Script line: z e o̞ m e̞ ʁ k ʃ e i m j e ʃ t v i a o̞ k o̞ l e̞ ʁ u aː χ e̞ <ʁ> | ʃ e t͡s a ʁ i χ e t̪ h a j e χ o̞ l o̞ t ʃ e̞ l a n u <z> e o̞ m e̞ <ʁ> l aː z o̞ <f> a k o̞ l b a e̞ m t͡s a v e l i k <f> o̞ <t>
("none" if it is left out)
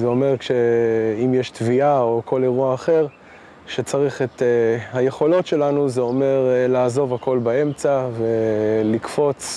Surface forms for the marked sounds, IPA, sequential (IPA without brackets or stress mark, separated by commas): ʁ, z, ʁ, v, f, t͡s